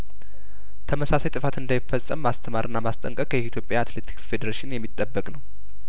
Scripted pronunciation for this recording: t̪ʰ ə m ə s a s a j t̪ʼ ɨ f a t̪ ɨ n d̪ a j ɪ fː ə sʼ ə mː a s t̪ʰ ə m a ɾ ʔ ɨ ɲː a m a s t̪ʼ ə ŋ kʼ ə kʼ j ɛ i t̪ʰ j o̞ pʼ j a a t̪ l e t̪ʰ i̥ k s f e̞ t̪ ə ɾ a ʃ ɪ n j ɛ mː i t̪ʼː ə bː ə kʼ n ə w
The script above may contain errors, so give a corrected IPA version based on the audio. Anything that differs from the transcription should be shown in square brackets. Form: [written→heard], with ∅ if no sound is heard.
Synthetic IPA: t̪ʰ ə m ə s a s a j t̪ʼ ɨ f a t̪ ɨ n d̪ a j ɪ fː ə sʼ ə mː a s t̪ʰ ə m a ɾ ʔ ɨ [ɲː→nː] a m a s t̪ʼ ə ŋ kʼ ə kʼ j ɛ i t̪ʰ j o̞ pʼ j a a t̪ l e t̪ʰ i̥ k s f e̞ [t̪→d̪] ə ɾ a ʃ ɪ n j ɛ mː i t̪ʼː ə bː ə kʼ n ə w